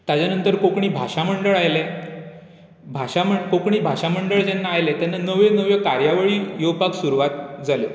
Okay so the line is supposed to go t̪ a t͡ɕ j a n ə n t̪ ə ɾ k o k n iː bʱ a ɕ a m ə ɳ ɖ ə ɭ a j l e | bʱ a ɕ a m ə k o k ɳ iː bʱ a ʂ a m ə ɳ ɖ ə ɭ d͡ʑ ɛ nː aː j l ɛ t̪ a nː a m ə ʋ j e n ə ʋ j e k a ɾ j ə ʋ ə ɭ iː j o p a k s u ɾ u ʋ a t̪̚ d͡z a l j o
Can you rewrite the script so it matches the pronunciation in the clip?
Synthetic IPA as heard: t̪ a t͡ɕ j a n ə n t̪ ə ɾ k o k ɳ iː bʱ a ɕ a m ə ɳ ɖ ə ɭ a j l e | bʱ a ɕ a m ə k o k ɳ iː bʱ a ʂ a m ə ɳ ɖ ə ɭ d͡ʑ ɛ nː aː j l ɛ t̪ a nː a n ə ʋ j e n ə ʋ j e k a ɾ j a ʋ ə ɭ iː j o p a k s u ɾ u ʋ a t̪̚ d͡z a l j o